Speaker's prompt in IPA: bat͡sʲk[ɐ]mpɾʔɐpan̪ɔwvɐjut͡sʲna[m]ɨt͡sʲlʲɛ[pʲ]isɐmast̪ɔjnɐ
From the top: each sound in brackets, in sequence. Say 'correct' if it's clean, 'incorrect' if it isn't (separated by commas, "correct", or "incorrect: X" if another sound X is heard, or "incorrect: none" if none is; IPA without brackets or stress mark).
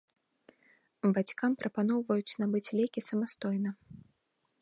incorrect: a, incorrect: b, incorrect: kʲ